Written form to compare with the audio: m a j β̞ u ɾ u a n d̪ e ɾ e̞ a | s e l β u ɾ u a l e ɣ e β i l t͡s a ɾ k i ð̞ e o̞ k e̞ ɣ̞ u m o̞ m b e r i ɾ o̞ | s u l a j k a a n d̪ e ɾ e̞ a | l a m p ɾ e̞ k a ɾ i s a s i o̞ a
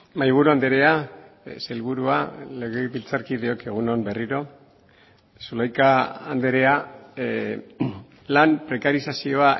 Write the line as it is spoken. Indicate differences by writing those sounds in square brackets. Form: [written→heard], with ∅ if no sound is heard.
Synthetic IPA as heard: m a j β̞ u ɾ u a n d̪ e ɾ e̞ a | s e l β u ɾ u a l e ɣ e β i l t͡s a ɾ k i ð̞ e o̞ k e̞ ɣ̞ u [m→n] o̞ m b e r i ɾ o̞ | s u l a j k a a n d̪ e ɾ e̞ a | l a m p ɾ e̞ k a ɾ i s a s i o̞ a